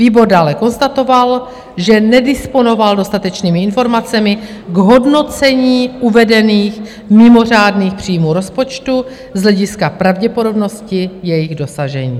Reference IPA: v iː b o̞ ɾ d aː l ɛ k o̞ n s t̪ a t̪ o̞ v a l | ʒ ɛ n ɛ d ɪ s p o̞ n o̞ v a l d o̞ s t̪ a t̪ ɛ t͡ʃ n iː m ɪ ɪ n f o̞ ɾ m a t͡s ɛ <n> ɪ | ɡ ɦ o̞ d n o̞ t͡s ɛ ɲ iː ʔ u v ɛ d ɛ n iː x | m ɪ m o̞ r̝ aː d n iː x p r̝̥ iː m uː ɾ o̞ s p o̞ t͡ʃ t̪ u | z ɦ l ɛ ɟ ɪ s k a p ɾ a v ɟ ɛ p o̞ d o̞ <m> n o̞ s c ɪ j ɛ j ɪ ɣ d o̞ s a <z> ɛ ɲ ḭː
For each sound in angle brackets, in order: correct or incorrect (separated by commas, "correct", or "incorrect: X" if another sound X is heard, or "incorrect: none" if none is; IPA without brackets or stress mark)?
incorrect: m, incorrect: b, incorrect: ʒ